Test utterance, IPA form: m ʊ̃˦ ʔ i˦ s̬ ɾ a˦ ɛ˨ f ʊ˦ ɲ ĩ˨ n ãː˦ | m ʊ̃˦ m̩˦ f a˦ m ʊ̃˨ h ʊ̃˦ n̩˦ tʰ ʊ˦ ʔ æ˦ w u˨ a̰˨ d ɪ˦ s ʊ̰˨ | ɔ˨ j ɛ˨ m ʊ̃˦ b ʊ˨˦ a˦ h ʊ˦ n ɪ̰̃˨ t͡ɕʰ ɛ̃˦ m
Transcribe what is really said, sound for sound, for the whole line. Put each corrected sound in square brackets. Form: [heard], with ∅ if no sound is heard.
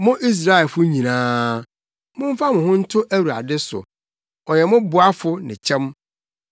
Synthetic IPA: m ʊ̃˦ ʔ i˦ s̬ ɾ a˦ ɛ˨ f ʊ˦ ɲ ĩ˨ n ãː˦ | m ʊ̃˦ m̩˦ f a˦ m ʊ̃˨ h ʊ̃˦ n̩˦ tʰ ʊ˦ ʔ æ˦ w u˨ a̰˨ d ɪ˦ s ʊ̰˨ | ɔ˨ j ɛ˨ m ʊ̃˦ b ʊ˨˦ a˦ [f] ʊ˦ n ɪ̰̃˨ t͡ɕʰ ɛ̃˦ m